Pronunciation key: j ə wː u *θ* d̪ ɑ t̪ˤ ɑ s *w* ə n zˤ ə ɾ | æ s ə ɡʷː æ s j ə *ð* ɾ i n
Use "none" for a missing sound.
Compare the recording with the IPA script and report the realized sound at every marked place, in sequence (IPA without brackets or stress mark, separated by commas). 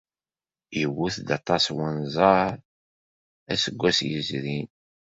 θ, w, z